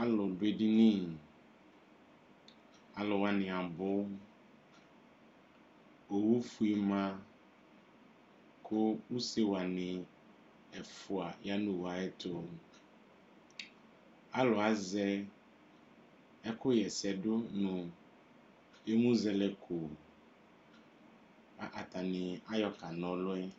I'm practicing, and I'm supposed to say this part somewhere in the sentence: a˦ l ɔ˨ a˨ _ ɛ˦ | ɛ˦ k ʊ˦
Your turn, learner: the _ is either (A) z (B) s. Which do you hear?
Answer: A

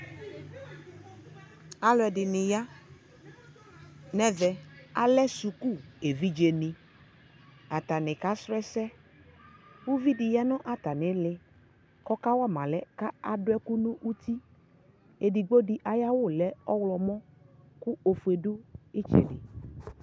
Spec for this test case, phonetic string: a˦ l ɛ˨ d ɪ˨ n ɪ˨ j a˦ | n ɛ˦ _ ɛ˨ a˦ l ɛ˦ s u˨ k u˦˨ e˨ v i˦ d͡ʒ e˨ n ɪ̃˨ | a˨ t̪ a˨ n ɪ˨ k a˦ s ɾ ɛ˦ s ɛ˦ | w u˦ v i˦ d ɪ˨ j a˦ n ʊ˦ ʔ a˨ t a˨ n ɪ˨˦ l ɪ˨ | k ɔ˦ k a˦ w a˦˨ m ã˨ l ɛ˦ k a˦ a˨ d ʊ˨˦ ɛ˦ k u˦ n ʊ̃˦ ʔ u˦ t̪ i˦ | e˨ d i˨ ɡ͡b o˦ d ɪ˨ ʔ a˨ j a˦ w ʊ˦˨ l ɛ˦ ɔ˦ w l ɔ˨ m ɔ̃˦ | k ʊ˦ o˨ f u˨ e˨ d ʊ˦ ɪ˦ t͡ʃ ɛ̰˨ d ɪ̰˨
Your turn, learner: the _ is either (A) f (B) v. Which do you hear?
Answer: B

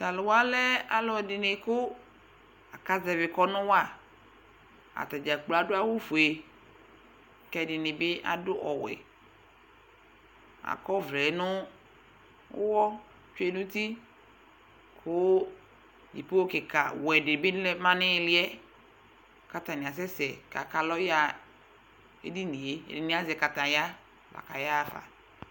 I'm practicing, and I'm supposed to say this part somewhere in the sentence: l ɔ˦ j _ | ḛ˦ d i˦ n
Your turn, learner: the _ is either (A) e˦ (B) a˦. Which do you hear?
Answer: B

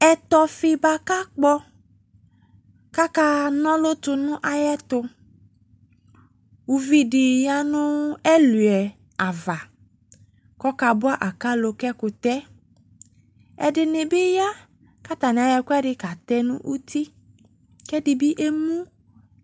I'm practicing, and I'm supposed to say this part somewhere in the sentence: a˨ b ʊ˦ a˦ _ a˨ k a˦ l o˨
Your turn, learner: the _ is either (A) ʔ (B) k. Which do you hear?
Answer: A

